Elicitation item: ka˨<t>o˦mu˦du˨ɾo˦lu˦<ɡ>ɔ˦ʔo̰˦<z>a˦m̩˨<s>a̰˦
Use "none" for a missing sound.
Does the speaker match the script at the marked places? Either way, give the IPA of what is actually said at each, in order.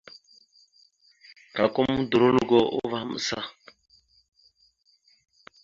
k, ɡ, v, s

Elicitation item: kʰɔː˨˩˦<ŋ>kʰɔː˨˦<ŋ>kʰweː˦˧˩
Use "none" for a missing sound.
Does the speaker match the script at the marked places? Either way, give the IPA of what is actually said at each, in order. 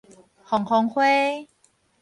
ŋ, ŋ

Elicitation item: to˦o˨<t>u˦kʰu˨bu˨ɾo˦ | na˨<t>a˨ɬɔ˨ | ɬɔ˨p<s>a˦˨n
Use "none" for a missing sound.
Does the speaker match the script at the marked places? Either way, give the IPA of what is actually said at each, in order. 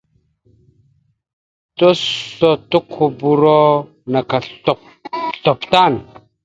t, k, t

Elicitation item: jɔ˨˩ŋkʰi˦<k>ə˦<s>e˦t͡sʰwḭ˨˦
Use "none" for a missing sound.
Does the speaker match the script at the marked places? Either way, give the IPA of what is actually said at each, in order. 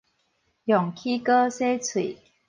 k, s

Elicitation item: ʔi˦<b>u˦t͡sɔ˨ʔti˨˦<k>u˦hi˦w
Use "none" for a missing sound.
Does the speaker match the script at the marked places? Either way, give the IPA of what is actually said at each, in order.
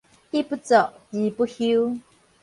p, p

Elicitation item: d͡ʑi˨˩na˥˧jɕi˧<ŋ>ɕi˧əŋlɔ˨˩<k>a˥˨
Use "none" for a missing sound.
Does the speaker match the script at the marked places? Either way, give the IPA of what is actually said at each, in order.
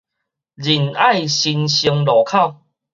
n, kʰ

